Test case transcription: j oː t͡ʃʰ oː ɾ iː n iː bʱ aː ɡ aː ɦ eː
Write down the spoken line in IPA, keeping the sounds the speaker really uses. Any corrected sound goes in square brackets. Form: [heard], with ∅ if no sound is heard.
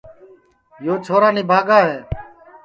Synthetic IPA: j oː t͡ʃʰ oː ɾ [aː] n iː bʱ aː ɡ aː ɦ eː